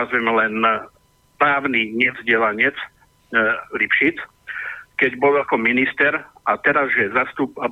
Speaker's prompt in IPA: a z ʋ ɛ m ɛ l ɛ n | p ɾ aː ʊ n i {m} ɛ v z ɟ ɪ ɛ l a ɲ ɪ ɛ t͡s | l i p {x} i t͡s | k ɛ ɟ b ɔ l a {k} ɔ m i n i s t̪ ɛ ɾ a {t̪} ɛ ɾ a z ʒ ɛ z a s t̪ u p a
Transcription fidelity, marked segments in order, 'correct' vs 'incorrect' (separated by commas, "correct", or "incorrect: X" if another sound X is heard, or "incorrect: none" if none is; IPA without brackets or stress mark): incorrect: ɲ, incorrect: ʃ, correct, correct